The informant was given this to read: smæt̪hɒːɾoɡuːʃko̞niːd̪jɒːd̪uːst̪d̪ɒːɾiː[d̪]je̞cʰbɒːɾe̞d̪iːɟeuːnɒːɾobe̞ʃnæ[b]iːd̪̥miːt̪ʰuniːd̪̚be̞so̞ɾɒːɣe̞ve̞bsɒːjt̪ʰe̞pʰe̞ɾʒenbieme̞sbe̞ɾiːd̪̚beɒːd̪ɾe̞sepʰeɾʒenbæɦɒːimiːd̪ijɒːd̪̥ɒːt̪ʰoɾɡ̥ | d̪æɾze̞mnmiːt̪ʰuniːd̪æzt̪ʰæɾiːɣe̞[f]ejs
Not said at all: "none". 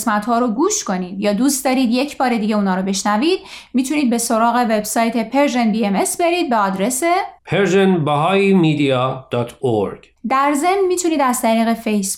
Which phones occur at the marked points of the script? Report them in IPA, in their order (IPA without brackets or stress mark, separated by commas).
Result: d̪, v, f